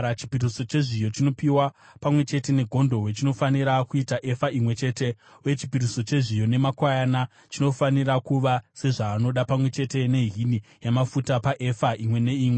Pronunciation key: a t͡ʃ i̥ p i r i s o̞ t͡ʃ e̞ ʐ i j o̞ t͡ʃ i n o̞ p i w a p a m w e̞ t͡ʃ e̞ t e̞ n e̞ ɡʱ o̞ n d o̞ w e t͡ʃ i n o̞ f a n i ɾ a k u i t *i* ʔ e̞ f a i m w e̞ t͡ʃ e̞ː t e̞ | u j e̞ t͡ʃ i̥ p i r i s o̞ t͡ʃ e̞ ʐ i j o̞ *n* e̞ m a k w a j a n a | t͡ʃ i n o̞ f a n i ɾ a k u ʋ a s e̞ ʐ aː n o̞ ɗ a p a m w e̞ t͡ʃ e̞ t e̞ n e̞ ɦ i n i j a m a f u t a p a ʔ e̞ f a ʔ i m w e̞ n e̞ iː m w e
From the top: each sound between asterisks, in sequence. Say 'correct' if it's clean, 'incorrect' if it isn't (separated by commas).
incorrect, correct